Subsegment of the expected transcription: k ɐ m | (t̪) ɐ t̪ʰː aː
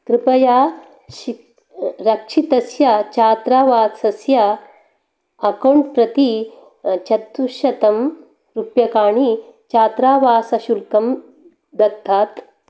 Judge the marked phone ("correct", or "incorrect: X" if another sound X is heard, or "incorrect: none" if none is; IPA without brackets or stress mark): incorrect: d̪